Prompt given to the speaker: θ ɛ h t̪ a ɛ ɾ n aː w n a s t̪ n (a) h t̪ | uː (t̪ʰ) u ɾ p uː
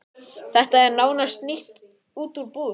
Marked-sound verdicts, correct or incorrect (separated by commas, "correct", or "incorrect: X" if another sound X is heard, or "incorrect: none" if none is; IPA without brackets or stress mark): incorrect: i, incorrect: t̪